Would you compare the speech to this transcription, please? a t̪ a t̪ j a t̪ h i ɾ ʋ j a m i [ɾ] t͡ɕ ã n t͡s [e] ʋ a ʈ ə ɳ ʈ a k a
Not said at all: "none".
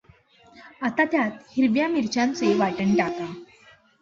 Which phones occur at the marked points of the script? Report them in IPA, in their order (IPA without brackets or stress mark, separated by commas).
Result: ɾ, e